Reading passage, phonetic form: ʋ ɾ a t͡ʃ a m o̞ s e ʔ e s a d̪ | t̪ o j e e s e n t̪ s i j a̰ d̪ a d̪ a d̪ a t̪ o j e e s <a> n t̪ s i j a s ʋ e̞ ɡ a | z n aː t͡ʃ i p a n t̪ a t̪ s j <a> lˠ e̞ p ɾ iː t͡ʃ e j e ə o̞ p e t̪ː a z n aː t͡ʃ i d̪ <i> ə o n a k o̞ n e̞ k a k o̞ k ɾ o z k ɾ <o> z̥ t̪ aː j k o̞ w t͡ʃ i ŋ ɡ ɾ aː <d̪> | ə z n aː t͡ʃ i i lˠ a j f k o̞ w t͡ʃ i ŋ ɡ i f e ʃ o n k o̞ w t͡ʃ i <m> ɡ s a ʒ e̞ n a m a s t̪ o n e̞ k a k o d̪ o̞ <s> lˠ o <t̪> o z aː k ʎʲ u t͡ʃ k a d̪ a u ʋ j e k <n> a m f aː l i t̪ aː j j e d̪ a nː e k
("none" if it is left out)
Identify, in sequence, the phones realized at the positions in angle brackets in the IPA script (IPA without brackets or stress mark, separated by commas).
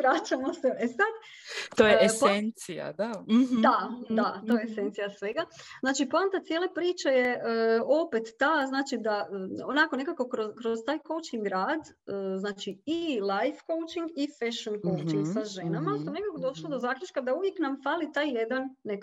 e, e, a, o, d̪, ŋ, ʃ, d̪, n